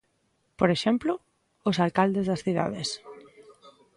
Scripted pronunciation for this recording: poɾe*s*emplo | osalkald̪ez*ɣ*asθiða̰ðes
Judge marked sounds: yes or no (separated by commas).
no, no